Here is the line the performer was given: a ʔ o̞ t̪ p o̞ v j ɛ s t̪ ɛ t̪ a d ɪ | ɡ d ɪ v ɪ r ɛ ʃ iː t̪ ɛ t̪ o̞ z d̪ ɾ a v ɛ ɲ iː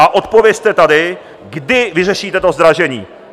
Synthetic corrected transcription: a ʔ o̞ t̪ p o̞ v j ɛ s t̪ ɛ t̪ a d ɪ | ɡ d ɪ v ɪ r ɛ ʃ iː t̪ ɛ t̪ o̞ z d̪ ɾ a ʒ ɛ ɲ iː

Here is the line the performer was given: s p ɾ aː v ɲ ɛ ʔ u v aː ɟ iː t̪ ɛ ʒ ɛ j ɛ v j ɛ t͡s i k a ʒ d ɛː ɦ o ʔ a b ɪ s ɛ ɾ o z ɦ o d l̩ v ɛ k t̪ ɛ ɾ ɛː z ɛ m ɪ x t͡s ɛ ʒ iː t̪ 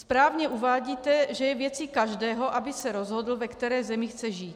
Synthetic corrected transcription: s p ɾ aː v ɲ ɛ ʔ u v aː ɟ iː t̪ ɛ ʒ ɛ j ɛ v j ɛ t͡s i k a ʒ d ɛː ɦ o ʔ a b ɪ s ɛ ɾ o z ɦ o d l̩ v ɛ k t̪ ɛ ɾ ɛː z ɛ m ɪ x t͡s ɛ ʒ iː t̪

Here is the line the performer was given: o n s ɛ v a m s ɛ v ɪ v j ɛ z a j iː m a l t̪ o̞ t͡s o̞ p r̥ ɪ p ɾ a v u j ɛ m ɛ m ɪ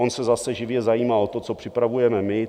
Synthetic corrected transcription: o n s ɛ z a s ɛ ʒ ɪ v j ɛ z a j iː m a l t̪ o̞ t͡s o̞ p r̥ ɪ p ɾ a v u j ɛ m ɛ m ɪ

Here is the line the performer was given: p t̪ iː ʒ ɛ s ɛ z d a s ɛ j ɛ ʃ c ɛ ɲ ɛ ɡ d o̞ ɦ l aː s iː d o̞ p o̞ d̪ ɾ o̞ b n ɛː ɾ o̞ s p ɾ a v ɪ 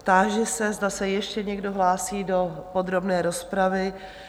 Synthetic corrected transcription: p t̪ aː ʒ ɛ s ɛ z d a s ɛ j ɛ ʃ c ɛ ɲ ɛ ɡ d o̞ ɦ l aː s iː d o̞ p o̞ d̪ ɾ o̞ b n ɛː ɾ o̞ s p ɾ a v ɪ

